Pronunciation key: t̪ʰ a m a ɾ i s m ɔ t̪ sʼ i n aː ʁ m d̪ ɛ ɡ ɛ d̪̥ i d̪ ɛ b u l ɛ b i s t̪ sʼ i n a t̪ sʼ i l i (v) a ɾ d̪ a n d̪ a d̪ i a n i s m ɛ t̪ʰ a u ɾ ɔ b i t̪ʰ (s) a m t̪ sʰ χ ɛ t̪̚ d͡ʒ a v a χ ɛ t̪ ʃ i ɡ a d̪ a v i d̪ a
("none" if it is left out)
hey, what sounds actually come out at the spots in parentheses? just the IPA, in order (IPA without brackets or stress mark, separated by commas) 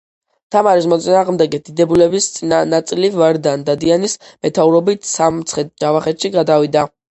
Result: v, s